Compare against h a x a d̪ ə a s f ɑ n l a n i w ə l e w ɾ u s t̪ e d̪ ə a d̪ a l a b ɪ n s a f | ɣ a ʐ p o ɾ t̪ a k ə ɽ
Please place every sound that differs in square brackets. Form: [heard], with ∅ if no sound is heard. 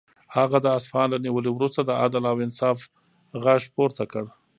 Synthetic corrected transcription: h a [ɣ] a d̪ ə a s f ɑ n l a n i w ə l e w ɾ u s t̪ [a] d̪ ə a d̪ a l a [w] ɪ n s [ɑ] f | ɣ a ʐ p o ɾ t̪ a k ə ɽ